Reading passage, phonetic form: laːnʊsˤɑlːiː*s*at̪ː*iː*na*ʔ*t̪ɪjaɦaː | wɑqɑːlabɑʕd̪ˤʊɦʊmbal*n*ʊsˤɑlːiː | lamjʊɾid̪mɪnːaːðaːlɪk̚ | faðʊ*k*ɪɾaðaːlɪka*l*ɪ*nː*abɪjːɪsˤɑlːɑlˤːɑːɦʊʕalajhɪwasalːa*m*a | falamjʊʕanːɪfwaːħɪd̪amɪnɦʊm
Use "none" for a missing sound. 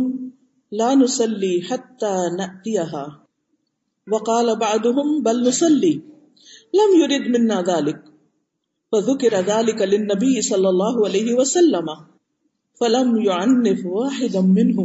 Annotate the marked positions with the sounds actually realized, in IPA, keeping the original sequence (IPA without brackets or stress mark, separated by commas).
ħ, aː, ʔ, n, k, l, nː, m